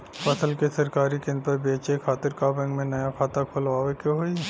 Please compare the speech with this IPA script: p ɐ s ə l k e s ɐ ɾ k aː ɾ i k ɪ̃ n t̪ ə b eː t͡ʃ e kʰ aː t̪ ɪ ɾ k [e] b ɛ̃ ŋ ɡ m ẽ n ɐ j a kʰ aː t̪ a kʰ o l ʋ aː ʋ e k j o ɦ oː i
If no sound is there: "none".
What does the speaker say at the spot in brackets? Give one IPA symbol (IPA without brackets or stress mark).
a